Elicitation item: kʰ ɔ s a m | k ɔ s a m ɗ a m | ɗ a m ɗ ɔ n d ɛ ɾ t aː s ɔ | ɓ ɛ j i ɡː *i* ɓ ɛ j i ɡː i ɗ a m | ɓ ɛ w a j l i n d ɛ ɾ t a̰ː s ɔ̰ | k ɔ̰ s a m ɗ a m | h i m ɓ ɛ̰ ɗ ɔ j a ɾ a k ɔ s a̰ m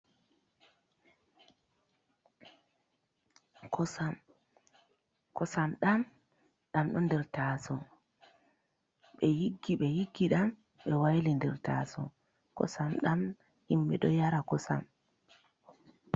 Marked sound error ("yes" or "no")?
no